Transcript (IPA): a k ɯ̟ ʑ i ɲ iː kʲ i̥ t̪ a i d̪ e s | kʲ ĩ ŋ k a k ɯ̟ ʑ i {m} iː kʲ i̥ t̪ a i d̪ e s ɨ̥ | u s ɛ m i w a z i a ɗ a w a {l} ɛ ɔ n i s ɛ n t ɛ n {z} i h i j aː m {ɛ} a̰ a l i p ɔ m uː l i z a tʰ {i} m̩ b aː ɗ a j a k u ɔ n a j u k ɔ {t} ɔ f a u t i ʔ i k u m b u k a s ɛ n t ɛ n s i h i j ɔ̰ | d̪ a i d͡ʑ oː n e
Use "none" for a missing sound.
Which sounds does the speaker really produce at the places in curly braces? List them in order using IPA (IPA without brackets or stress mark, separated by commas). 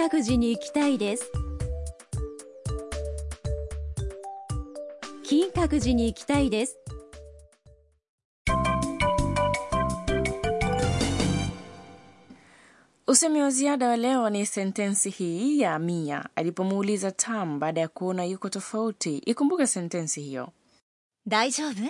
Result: ɲ, l, s, i, a, t